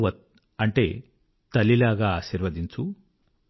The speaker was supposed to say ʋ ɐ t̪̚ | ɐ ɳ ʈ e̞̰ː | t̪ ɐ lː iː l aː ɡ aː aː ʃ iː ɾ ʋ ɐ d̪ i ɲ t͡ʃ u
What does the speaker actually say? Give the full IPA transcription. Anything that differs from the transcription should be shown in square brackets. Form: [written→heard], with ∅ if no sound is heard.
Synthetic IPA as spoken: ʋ ɐ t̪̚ | ɐ ɳ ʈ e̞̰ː | t̪ ɐ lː [iː→i] l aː ɡ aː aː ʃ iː ɾ ʋ ɐ d̪ i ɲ t͡ʃ u